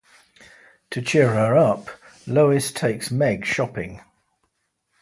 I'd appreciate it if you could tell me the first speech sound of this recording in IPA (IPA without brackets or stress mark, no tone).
tʰ